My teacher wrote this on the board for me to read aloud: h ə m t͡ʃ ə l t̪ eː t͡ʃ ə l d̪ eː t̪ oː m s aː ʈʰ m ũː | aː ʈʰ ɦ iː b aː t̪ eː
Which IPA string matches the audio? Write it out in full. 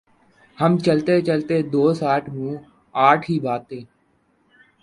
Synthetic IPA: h ə m t͡ʃ ə l t̪ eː t͡ʃ ə l t̪ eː d̪ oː s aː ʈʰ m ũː | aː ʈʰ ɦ iː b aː t̪ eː